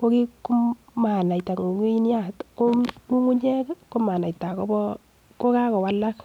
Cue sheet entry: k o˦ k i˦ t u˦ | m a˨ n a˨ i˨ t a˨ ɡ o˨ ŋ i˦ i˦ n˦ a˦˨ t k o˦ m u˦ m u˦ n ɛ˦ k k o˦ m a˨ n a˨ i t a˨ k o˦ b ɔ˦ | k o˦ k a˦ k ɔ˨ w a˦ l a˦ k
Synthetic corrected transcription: k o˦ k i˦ k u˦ | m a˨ n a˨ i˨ t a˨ ŋ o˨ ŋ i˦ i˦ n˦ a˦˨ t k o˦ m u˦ ŋ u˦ ɲ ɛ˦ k k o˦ m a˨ n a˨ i t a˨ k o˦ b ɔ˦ | k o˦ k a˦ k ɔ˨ w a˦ l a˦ k

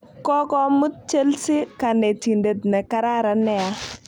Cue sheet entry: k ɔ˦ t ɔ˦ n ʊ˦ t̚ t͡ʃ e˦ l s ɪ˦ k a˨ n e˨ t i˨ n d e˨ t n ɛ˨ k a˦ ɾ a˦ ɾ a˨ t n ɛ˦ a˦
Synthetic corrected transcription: k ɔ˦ k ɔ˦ m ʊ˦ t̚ t͡ʃ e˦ l s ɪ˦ k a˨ n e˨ t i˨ n d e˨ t n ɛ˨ k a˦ ɾ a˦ ɾ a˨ n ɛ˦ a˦

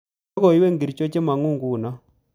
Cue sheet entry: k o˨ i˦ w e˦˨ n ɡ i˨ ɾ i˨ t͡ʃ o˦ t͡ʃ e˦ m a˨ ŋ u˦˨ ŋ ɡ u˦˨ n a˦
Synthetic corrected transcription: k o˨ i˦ w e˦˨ ŋ ɡ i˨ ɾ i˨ t͡ʃ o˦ t͡ʃ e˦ m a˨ ŋ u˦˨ ŋ ɡ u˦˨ n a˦

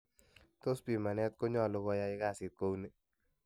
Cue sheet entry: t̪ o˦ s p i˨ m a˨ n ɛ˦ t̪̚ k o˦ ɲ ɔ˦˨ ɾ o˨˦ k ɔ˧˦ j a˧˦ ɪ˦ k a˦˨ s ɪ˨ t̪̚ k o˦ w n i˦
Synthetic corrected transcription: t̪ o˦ s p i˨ m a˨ n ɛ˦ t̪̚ k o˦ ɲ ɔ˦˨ l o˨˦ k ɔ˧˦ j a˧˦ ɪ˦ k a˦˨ s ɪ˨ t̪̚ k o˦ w n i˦

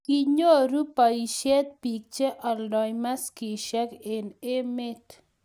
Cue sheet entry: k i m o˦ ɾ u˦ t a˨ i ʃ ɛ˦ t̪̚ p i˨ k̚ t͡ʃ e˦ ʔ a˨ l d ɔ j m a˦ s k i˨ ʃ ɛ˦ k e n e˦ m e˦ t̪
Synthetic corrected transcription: k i ɲ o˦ ɾ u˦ p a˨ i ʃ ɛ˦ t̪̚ p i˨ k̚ t͡ʃ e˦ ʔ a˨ l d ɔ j m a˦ s k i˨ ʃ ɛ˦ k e n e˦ m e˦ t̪

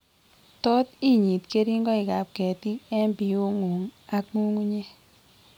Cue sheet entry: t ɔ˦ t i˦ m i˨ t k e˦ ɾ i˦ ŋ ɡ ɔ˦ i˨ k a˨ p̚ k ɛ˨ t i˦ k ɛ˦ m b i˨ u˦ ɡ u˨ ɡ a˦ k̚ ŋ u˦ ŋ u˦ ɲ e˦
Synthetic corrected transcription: t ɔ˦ t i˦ ɲ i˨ t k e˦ ɾ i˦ ŋ ɡ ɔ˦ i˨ k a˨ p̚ k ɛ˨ t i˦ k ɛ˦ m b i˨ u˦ ŋ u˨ ŋ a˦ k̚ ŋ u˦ ŋ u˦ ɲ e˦

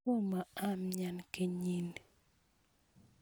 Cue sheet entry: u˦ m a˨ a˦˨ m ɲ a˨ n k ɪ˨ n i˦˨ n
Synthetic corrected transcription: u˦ m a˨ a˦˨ m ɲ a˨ n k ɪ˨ ɲ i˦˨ n

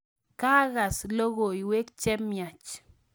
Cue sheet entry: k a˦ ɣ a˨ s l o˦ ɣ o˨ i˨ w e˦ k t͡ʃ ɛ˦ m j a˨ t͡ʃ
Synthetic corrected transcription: k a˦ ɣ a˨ s l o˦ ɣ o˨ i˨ w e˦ k t͡ʃ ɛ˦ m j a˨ t͡ʃ

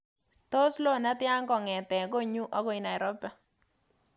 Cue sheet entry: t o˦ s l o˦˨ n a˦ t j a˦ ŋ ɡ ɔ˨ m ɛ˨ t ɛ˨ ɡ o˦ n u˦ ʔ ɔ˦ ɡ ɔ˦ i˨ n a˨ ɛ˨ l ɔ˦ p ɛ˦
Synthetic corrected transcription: t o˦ s l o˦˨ n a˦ t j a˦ ŋ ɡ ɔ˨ ŋ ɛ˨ t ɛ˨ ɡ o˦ ɲ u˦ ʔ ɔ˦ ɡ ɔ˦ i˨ n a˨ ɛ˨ ɾ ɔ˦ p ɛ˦

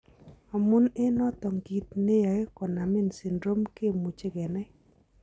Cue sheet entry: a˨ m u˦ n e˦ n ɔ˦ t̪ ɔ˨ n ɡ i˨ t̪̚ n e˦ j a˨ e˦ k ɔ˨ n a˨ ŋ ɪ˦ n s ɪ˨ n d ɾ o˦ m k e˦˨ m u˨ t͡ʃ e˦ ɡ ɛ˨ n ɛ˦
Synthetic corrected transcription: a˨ m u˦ n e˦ n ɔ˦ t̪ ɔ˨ ŋ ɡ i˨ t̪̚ n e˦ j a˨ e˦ k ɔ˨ n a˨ m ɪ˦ n s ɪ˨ n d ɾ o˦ m k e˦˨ m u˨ t͡ʃ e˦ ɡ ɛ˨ n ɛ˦

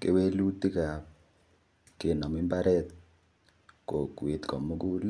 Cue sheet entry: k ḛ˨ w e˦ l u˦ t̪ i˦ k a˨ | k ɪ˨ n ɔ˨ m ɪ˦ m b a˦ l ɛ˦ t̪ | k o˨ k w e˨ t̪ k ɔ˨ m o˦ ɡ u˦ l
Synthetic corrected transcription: k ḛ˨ w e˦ l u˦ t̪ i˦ k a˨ | k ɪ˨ n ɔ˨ m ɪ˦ m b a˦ ɾ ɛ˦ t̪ | k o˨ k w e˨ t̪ k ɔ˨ m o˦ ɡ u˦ l

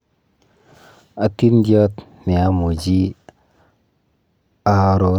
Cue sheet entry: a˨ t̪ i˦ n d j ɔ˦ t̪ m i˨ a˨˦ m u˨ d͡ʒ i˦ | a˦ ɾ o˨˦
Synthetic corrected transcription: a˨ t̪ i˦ n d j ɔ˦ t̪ n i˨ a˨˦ m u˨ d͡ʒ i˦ | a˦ ɾ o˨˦

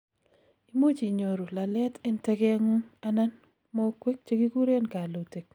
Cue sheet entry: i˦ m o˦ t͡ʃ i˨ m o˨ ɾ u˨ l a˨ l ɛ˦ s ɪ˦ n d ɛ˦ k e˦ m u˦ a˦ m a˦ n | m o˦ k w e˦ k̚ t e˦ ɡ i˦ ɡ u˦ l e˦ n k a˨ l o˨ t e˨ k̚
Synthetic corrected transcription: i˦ m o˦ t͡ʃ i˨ ɲ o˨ ɾ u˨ l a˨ l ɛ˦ t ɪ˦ n t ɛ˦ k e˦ ŋ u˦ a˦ n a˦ n | m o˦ k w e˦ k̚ t͡ʃ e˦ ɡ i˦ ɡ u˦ ɾ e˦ n k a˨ l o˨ t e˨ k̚

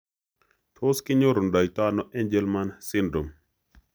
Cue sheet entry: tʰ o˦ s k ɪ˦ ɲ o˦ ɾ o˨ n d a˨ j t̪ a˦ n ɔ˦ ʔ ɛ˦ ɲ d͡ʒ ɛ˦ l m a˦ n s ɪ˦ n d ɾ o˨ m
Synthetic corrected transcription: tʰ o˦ s k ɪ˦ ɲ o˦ ɾ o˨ n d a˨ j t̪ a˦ n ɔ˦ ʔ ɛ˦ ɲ d͡ʒ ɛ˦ l m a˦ n s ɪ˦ n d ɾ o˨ m

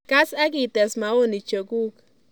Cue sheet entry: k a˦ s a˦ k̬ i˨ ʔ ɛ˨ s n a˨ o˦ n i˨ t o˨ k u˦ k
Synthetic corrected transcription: k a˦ s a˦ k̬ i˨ t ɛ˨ s m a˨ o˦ n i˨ t͡ʃ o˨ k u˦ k

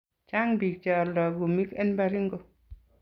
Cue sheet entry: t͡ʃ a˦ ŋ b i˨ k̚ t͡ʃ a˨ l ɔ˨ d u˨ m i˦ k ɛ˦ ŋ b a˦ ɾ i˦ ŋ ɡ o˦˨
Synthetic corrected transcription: t͡ʃ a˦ ŋ b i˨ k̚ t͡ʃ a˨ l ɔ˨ ɡ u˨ m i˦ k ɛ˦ n b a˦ ɾ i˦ ŋ ɡ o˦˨

